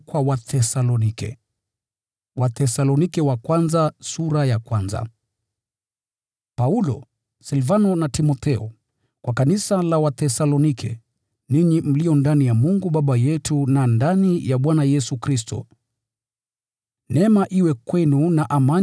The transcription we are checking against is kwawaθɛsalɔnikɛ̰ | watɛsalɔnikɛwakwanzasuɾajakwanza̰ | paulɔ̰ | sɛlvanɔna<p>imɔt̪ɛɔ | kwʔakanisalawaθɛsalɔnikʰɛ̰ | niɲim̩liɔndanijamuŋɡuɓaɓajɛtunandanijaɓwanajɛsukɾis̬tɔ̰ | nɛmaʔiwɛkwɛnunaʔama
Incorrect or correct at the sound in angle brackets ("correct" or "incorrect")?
incorrect